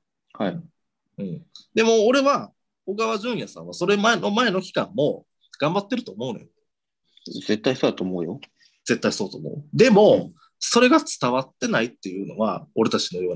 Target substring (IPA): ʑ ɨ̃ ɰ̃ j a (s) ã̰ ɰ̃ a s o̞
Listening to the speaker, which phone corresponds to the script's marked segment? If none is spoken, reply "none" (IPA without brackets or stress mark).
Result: s